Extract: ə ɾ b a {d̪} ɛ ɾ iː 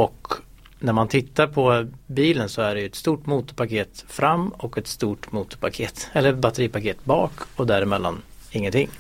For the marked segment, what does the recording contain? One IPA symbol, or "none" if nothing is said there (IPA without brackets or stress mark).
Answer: t̪